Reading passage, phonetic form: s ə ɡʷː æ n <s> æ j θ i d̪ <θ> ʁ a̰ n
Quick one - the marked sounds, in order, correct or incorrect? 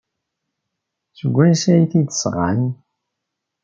correct, incorrect: s

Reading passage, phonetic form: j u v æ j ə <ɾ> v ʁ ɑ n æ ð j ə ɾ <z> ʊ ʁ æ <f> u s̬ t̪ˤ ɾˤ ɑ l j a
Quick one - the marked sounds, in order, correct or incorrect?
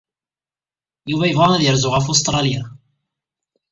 incorrect: none, correct, correct

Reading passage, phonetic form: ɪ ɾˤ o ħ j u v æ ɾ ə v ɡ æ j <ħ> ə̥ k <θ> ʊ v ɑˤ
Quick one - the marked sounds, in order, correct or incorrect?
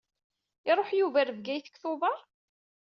incorrect: θ, correct

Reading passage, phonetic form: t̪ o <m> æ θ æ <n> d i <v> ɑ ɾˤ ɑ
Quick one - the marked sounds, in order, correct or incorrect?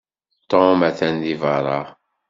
correct, correct, correct

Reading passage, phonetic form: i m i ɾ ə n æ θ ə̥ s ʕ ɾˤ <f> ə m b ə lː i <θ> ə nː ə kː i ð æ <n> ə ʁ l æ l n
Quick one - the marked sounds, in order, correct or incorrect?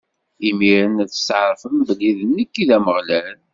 correct, incorrect: ð, incorrect: m

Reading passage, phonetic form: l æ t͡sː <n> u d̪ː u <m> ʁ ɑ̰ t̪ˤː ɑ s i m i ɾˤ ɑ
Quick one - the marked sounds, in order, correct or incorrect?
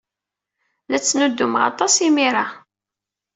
correct, correct

